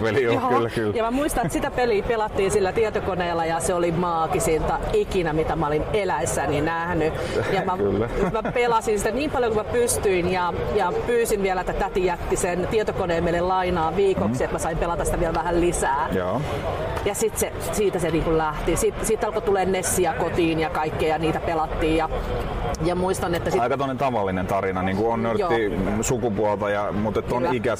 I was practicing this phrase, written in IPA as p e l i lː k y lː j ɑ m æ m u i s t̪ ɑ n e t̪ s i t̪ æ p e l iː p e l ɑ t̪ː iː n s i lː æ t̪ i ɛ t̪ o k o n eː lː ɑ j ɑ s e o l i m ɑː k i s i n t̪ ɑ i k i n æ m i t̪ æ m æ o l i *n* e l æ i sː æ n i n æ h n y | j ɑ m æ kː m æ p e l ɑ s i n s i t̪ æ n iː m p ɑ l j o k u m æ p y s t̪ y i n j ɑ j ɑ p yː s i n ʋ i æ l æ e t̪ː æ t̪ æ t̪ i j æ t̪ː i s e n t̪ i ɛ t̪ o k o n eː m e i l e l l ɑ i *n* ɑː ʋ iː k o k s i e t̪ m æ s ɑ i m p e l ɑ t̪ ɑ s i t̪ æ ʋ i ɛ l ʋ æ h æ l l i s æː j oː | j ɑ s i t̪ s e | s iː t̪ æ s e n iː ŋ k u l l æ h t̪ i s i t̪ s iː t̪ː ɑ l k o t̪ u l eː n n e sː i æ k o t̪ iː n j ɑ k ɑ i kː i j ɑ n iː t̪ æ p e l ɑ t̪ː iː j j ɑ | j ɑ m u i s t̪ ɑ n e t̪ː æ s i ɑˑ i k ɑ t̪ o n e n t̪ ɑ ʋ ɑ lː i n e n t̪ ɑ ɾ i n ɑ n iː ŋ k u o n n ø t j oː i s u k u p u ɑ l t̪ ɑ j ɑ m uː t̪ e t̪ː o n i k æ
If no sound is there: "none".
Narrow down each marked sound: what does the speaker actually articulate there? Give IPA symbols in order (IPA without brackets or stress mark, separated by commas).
n, n